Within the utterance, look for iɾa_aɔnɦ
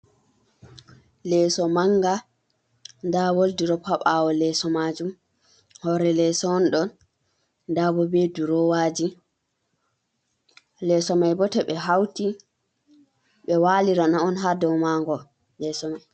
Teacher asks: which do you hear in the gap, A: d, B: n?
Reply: B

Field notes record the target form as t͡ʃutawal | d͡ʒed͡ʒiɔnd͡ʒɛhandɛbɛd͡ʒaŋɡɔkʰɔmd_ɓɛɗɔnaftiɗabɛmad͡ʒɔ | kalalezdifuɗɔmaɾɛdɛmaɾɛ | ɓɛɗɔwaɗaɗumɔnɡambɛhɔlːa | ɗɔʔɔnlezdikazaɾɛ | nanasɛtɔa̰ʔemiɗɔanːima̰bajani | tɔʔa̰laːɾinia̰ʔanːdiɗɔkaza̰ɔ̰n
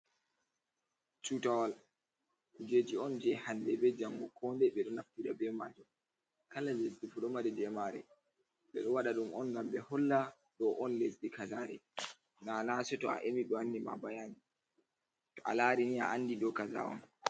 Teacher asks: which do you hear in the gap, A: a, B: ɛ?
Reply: B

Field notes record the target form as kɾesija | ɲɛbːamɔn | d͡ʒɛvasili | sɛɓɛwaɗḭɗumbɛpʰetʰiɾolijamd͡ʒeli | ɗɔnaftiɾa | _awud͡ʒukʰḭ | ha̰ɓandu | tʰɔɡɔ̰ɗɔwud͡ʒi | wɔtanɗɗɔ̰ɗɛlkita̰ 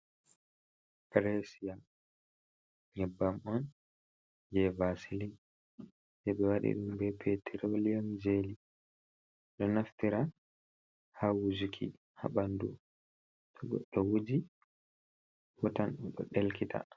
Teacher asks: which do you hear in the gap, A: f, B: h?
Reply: B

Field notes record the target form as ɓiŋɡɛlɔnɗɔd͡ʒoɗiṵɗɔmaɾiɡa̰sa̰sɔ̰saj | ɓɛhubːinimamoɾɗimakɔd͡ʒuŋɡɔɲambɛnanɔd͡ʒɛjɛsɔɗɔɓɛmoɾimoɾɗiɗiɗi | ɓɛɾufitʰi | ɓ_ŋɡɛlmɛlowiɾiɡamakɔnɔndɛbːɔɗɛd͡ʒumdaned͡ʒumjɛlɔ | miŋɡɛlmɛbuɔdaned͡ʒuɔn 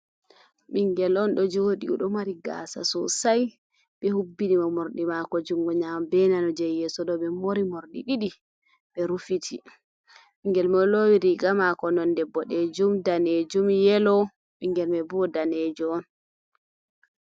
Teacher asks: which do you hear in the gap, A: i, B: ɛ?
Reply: A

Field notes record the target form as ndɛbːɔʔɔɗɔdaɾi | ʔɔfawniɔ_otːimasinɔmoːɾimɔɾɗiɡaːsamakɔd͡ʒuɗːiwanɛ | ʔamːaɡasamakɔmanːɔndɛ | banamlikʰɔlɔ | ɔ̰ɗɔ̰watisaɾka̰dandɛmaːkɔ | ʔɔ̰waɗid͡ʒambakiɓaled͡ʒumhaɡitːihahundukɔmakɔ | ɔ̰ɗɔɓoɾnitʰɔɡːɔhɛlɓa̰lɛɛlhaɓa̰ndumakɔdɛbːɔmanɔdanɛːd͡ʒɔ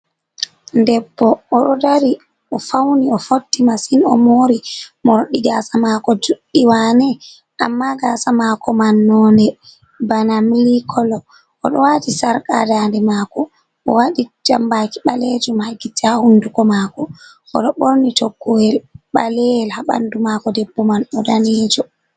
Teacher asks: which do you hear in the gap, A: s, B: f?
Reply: B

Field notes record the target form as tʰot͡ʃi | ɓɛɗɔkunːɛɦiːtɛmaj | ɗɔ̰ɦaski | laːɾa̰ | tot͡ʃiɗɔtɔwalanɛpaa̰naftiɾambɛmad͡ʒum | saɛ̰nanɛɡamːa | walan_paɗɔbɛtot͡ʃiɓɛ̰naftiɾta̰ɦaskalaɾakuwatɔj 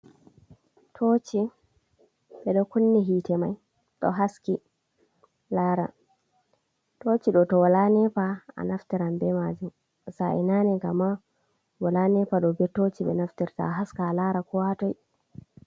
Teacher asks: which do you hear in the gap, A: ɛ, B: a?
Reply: A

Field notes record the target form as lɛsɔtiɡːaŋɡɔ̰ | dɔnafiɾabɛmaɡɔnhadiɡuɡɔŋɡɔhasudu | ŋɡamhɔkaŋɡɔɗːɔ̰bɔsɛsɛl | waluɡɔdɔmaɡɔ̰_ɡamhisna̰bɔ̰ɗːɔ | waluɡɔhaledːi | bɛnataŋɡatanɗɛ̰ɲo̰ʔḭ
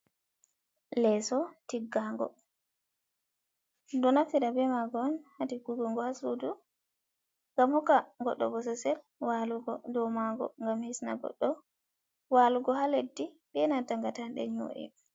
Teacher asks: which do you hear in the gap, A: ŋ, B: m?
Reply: A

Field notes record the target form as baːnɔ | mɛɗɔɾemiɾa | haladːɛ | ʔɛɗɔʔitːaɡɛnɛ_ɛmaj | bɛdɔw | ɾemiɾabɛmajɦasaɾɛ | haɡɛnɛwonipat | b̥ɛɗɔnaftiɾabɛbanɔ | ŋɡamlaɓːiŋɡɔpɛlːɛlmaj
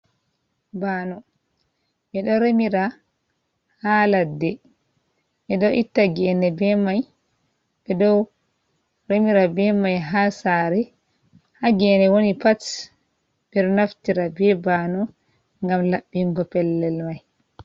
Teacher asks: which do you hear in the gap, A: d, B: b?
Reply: B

